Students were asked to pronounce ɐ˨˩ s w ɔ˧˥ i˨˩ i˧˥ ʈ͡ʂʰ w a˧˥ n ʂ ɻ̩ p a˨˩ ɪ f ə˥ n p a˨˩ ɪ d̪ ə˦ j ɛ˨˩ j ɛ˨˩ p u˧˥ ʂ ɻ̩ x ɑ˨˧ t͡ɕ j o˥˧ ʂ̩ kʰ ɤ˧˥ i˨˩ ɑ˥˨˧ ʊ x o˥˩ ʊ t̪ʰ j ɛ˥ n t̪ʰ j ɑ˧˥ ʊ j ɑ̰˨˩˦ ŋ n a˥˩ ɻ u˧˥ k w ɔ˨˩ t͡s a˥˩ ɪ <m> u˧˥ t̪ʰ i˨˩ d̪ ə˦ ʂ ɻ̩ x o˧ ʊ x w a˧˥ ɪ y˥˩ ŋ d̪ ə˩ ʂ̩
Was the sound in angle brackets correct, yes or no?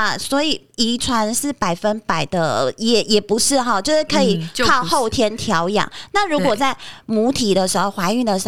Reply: yes